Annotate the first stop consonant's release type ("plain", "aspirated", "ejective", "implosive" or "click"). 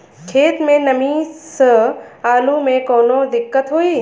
aspirated